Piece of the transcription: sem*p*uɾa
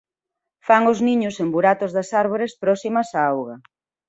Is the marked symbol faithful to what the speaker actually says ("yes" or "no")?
no